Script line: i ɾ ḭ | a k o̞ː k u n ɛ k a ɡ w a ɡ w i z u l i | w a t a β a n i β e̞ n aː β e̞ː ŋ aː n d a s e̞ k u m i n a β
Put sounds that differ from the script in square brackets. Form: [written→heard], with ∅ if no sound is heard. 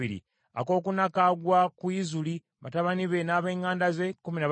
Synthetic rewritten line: i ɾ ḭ | a k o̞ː k u n [ɛ→a] k a ɡ w a [ɡ→k] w i z u l i | [w→β] a t a β a n i β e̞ n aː β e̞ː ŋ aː n d a [s→z] e̞ k u m i n a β